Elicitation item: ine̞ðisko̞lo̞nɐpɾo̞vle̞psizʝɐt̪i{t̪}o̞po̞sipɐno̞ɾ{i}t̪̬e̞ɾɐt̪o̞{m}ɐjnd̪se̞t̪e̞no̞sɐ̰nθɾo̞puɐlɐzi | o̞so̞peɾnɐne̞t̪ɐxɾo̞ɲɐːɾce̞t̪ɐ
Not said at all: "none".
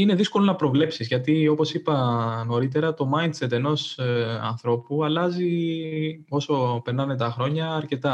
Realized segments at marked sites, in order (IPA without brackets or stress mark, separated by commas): none, i, m